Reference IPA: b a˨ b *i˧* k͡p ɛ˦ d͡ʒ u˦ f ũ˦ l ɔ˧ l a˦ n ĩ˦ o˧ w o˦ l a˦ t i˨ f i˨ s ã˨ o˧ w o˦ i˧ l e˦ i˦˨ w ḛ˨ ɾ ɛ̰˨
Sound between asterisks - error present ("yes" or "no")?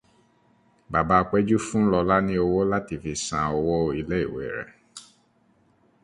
yes